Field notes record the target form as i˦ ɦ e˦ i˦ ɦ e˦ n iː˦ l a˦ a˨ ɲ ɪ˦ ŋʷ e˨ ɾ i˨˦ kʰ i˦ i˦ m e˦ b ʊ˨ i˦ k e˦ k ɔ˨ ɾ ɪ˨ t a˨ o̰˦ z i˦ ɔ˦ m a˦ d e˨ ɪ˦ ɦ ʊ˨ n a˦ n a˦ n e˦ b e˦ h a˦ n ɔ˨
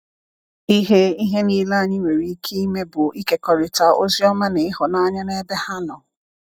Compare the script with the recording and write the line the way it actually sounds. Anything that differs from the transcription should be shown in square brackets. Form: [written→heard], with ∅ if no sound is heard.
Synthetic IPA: i˦ ɦ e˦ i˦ ɦ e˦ n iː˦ l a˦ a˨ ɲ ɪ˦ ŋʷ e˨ ɾ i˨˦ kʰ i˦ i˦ m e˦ b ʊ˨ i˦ k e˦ k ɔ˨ ɾ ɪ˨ t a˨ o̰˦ z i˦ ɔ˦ m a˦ [d→n] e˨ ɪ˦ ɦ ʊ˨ n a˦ [n→ɲ] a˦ n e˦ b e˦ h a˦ n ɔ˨